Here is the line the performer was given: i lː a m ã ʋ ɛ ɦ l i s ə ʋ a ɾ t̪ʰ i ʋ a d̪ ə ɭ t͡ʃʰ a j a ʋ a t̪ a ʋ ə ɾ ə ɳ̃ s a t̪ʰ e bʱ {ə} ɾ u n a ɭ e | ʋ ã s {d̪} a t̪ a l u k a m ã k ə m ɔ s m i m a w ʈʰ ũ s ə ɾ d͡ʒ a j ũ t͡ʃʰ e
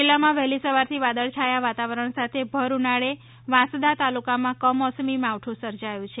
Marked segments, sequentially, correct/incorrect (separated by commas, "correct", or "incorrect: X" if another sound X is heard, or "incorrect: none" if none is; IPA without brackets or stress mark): correct, correct